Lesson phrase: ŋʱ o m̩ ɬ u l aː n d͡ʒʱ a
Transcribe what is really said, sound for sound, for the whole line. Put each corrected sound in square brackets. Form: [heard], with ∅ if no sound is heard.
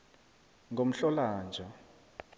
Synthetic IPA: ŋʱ o m̩ ɬ [ɔ] l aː n d͡ʒʱ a